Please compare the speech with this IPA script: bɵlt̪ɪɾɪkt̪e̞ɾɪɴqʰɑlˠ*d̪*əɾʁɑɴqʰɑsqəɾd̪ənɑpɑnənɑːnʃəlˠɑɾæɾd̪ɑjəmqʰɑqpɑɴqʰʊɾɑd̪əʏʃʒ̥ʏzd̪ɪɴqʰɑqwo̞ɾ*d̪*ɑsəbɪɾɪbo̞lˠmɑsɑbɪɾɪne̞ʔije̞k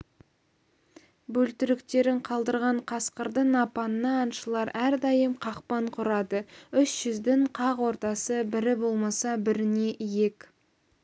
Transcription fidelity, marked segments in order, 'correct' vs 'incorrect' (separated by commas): correct, incorrect